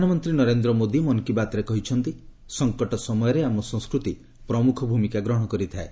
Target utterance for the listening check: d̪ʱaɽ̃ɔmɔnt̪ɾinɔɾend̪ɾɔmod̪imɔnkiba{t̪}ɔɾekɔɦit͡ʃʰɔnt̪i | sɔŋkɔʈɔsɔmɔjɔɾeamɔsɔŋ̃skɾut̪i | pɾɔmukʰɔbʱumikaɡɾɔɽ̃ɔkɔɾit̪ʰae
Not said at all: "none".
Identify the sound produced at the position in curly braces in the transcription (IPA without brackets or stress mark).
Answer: t̪